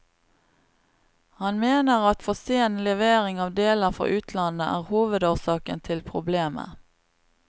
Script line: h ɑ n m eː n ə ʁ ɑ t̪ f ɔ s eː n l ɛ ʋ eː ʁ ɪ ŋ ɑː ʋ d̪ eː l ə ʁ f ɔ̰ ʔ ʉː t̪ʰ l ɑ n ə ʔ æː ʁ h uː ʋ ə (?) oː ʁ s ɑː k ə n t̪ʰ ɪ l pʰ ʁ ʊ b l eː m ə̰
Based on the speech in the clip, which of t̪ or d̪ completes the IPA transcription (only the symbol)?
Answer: d̪